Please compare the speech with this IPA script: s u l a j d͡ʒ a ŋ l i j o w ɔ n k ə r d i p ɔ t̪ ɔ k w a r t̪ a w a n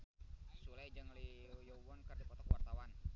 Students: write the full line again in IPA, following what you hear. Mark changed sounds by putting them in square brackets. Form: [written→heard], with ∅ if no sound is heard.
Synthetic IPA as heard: s u l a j d͡ʒ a ŋ l i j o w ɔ n k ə r d i p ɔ t̪ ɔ k w a r t̪ a w a n